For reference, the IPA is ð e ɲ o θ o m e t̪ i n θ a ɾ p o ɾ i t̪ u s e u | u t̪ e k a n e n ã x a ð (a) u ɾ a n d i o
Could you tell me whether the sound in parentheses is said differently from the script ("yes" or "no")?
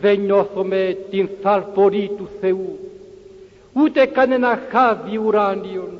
yes